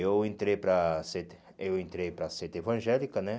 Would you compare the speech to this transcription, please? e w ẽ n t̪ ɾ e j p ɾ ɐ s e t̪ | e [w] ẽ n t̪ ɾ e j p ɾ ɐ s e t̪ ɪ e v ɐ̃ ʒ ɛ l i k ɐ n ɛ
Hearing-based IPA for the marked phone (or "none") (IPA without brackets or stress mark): w